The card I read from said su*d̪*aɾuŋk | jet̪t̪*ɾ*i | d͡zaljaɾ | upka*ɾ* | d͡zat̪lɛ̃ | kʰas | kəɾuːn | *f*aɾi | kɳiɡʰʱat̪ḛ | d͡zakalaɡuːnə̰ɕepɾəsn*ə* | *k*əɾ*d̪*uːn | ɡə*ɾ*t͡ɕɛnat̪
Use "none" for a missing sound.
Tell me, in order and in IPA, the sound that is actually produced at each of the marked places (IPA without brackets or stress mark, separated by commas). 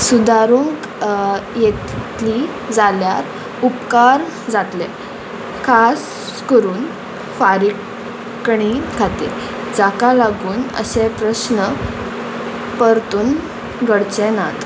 d̪, l, ɾ, f, ə, p, t̪, ɽ